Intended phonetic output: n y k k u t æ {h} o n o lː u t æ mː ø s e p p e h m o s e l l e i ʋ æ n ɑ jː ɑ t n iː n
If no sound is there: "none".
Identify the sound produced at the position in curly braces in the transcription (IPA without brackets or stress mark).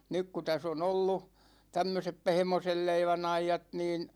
s